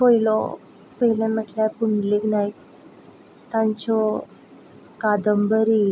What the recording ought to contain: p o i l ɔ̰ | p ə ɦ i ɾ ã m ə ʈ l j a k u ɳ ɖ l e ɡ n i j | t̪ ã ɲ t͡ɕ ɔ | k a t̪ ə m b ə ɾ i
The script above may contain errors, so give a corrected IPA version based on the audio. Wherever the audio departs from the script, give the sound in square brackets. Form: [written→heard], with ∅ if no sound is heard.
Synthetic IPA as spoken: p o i l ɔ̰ | p ə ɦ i [ɾ→l] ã m ə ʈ l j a [k→p] u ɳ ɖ l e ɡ n [i→a] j | t̪ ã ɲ t͡ɕ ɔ | k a [t̪→d̪] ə m b ə ɾ i